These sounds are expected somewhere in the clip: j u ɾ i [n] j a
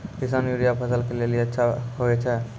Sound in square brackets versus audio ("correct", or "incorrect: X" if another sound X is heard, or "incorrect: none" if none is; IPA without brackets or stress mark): incorrect: none